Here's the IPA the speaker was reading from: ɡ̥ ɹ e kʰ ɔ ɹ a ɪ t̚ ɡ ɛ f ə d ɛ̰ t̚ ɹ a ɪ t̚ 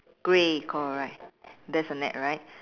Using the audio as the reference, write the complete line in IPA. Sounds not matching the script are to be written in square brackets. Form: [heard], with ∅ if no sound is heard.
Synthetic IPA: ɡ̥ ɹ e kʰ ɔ ɹ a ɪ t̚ [d] ɛ [s] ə [n] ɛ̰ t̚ ɹ a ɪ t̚

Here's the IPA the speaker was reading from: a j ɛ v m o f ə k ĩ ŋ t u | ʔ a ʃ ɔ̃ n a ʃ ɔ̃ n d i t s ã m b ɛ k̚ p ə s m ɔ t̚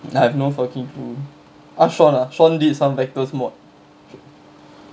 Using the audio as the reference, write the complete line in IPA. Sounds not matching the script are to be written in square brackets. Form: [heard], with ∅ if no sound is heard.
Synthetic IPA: a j ɛ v [n] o f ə k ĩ ŋ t u | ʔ a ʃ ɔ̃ n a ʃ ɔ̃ n d i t s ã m [v] ɛ k̚ [t] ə s m ɔ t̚

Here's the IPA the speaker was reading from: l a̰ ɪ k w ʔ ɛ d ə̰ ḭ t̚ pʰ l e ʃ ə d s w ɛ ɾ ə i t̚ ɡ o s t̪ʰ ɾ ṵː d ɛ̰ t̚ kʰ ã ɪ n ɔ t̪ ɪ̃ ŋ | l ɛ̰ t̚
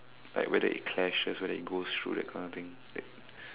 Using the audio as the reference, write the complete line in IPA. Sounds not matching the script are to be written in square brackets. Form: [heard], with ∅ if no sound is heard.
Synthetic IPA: l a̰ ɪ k w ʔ ɛ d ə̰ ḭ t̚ [kʰ] l [ɛ] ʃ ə [∅] s w ɛ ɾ ə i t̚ ɡ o s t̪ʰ [ɹ] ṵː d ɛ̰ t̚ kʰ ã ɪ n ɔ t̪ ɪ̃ ŋ | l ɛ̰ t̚

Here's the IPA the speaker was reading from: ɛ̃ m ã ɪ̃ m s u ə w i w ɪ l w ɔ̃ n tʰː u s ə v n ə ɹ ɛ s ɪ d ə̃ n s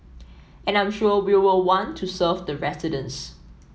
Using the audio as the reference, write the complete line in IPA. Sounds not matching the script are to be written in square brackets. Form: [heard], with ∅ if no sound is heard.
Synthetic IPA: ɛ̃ [n] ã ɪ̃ m [ʃ] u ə w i w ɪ l w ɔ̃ n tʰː u s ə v [d] ə ɹ ɛ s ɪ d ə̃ n s

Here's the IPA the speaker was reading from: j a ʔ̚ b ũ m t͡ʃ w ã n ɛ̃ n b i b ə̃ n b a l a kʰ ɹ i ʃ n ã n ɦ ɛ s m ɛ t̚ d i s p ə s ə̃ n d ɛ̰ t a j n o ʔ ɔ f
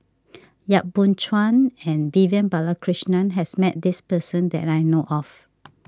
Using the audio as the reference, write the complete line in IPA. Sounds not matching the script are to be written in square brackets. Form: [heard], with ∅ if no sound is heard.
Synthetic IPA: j a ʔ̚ b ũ [n] t͡ʃ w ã n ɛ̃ n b i [v] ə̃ n b a l a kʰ ɹ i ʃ n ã n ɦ ɛ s m ɛ t̚ d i s p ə s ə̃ n d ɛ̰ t a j n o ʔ ɔ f

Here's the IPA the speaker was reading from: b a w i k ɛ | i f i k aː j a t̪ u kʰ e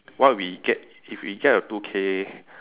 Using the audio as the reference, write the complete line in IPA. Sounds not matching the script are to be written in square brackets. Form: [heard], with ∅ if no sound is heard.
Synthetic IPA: [w] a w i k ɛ | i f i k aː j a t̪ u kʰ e

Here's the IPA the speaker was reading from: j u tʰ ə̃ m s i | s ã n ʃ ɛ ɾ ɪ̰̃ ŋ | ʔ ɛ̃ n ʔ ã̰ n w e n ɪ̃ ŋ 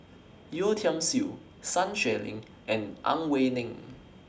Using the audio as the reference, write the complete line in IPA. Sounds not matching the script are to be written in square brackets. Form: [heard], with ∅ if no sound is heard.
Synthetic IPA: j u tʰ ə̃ m s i | s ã n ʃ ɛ [l] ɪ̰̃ ŋ | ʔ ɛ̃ n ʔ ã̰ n w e n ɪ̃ ŋ

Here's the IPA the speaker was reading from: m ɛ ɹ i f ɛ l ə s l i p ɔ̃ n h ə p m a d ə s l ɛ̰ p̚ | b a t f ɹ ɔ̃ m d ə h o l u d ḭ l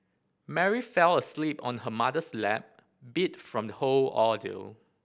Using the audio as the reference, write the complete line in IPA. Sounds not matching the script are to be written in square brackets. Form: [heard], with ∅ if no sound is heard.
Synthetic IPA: m ɛ ɹ i f ɛ l ə s l i p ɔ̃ n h ə [∅] m a d ə s l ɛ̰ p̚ | b [i] t f ɹ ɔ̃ m d ə h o l [ɔ] d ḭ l

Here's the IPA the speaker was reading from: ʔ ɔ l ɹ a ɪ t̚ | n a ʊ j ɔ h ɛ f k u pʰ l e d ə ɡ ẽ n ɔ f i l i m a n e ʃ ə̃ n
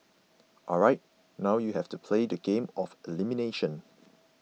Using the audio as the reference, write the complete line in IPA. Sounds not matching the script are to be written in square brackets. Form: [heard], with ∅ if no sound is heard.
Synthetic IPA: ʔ ɔ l ɹ a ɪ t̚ | n a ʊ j [u] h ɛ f [t] u pʰ l e d ə ɡ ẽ [m] ɔ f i l i m [i] n e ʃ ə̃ n

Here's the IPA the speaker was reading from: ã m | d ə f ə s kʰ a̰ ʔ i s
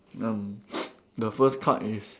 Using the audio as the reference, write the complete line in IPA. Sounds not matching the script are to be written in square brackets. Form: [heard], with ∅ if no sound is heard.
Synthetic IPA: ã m | d ə f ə s kʰ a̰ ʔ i s

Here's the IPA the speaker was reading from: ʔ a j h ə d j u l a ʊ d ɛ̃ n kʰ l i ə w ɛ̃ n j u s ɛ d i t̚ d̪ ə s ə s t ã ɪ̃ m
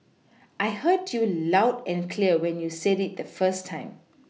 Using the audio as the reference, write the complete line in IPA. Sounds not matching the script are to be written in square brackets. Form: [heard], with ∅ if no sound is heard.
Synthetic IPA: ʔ a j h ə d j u l a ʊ d ɛ̃ n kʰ l i ə w ɛ̃ n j u s ɛ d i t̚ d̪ ə [f] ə s [tʰ] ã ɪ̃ m

